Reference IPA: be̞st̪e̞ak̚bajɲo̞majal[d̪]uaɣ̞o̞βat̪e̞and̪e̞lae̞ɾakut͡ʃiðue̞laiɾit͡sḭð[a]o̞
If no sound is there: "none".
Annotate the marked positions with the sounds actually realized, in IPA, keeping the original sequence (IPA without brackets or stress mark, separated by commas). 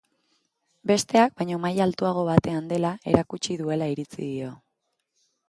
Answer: t̪, i